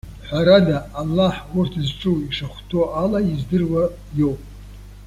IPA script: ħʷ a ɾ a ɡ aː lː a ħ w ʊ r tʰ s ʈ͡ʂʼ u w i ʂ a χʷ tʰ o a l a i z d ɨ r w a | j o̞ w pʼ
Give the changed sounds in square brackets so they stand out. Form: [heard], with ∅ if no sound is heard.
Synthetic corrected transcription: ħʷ a ɾ a [d] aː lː a ħ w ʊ r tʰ [z] ʈ͡ʂʼ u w i ʂ a χʷ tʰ o a l a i z d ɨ r w a | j o̞ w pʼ